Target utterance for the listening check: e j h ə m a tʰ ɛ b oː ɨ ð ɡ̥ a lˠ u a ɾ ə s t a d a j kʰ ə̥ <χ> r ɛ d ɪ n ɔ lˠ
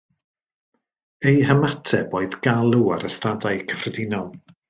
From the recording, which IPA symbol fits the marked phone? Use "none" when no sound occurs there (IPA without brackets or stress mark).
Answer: f